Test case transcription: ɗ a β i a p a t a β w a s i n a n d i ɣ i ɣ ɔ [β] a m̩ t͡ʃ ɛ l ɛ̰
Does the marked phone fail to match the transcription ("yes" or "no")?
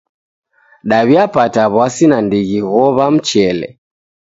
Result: no